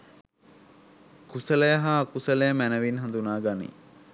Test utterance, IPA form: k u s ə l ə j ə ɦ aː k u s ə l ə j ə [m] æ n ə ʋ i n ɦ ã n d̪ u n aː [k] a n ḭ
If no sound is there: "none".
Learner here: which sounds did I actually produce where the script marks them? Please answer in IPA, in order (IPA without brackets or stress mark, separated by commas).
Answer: m, ɡ